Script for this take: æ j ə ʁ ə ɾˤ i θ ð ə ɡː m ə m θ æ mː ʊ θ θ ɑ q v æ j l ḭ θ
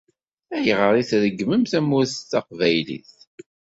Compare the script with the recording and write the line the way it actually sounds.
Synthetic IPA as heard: æ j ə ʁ ə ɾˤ i θ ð ə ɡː m ə m θ æ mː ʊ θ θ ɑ q v æ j l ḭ θ